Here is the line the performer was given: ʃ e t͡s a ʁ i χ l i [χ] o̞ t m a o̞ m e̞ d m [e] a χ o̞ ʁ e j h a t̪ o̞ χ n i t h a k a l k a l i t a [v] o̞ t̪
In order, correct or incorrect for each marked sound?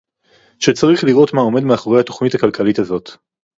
incorrect: ʁ, correct, incorrect: z

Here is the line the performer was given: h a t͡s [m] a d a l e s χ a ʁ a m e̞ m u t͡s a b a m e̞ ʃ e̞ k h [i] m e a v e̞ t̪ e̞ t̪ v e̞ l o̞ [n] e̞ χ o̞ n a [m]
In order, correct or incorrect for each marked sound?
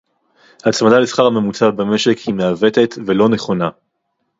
correct, correct, correct, incorrect: none

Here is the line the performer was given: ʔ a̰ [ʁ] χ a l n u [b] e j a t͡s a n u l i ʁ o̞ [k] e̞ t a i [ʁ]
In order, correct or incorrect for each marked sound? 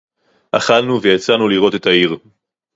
incorrect: none, incorrect: v, incorrect: t, correct

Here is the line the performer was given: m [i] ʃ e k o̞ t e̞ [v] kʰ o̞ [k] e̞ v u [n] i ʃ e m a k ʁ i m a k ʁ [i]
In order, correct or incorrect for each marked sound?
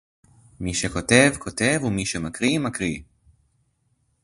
correct, correct, incorrect: t, incorrect: m, correct

